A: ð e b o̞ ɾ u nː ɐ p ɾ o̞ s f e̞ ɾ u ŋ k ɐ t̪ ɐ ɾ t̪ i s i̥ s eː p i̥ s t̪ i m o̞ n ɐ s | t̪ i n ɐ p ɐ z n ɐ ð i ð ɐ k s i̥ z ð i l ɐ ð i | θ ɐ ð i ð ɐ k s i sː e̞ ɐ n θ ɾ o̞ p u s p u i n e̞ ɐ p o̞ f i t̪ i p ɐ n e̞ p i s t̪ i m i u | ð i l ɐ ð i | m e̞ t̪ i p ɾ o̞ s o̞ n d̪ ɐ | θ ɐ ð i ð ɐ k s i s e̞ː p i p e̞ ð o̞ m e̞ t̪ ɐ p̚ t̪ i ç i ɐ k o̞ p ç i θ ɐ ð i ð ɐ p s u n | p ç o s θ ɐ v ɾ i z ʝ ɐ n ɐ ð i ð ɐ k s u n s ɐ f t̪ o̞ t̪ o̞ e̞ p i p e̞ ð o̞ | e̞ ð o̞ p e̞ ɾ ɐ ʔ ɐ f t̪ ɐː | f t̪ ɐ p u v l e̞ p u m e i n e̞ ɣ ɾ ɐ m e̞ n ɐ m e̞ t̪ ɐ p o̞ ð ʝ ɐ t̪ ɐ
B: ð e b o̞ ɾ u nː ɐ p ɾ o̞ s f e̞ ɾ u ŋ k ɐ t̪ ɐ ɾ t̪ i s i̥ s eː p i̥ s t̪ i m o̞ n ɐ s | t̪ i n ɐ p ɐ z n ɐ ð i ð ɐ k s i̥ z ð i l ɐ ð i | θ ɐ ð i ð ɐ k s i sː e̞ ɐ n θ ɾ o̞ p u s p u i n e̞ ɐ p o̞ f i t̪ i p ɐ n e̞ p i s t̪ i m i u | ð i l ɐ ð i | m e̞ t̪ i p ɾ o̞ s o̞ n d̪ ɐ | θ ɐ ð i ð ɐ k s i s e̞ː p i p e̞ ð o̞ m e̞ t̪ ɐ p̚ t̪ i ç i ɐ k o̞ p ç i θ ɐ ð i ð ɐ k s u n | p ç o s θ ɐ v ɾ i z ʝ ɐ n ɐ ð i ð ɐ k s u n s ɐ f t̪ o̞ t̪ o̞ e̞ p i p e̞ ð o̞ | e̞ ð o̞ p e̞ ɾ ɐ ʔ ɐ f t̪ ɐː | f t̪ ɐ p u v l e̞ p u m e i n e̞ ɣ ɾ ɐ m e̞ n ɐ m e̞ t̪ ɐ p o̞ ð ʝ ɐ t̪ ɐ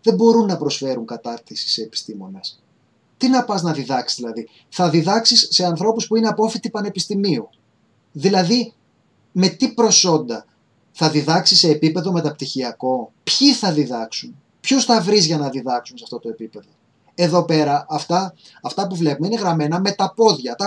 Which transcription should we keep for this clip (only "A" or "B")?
B